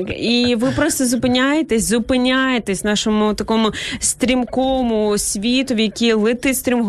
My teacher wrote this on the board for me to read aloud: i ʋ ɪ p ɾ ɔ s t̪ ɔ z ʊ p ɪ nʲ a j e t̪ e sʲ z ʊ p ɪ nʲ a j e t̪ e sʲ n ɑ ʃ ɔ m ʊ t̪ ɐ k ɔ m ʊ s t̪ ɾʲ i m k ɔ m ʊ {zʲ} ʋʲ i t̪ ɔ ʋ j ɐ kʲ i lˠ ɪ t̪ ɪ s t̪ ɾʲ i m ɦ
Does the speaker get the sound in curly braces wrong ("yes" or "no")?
yes